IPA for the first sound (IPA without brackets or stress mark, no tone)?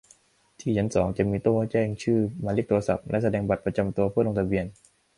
t̪ʰ